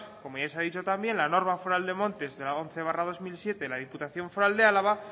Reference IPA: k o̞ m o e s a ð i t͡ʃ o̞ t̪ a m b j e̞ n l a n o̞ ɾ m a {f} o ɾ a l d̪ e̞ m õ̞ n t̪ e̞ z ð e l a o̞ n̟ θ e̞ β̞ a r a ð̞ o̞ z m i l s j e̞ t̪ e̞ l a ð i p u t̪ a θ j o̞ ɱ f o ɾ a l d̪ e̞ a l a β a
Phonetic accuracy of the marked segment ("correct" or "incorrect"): correct